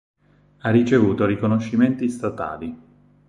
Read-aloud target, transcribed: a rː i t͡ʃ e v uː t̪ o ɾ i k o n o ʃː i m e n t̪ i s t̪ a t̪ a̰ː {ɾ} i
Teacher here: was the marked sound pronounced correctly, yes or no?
no